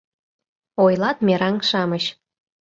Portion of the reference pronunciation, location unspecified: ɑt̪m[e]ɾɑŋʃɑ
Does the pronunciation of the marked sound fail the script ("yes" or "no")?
no